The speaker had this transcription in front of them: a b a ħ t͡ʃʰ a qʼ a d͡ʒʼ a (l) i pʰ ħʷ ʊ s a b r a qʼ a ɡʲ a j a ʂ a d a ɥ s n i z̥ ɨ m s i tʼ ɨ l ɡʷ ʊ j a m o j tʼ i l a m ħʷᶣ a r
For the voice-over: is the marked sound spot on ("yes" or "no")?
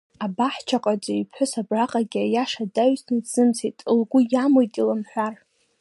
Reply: no